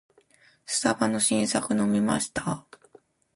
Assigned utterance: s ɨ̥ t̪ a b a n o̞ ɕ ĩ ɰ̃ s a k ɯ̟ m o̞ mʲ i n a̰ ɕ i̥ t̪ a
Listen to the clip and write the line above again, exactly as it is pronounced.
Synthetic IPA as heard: s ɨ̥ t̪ a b a n o̞ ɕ ĩ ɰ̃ s a k ɯ̟ n o̞ mʲ i m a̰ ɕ i̥ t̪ a